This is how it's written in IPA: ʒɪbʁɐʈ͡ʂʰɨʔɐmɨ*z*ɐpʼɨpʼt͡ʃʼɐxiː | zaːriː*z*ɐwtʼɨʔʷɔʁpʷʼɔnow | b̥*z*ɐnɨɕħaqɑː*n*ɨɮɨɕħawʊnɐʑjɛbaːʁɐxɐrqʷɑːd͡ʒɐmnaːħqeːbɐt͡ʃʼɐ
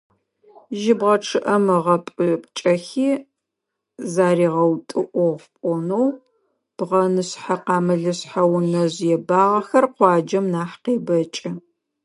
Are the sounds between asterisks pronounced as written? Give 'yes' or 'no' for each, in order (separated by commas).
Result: no, no, no, no